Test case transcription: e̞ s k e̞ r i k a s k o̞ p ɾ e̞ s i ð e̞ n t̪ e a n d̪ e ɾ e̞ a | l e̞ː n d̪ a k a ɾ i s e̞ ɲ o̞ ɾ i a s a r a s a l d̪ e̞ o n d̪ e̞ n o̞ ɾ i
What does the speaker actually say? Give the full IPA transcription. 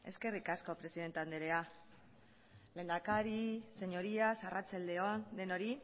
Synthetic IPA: e̞ s k e̞ r i k a s k o̞ p ɾ e̞ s i ð e̞ n t̪ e a n d̪ e ɾ e̞ a | l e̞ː n d̪ a k a ɾ i s e̞ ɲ o̞ ɾ i a s a r a t͡s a l d̪ e̞ o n d̪ e̞ n o̞ ɾ i

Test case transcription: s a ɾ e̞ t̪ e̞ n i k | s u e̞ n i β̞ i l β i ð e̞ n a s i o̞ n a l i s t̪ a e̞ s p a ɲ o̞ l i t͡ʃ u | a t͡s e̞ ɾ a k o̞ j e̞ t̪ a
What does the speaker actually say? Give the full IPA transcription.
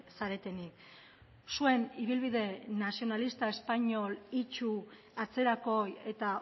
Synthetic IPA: s a ɾ e̞ t̪ e̞ n i k | s u e̞ n i β̞ i l β i ð e̞ n a s i o̞ n a l i s t̪ a e̞ s p a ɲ o̞ l i t͡ʃ u | a t͡s e̞ ɾ a k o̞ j e̞ t̪ a

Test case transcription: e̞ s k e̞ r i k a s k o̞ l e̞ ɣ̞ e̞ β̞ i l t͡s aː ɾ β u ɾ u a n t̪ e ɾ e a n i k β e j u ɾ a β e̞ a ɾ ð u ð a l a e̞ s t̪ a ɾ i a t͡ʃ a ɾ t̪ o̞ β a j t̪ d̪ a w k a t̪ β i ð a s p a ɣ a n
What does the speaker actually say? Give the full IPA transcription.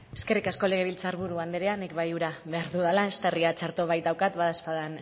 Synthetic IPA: e̞ s k e̞ r i k a s k o̞ l e̞ ɣ̞ e̞ β̞ i l t͡s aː ɾ β u ɾ u a n d̪ e ɾ e a n i k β a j u ɾ a β e̞ a ɾ ð u ð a l a e̞ s t̪ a r i a t͡ʃ a ɾ t̪ o̞ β a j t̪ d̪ a w k a t̪ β a ð a s p a ð a n

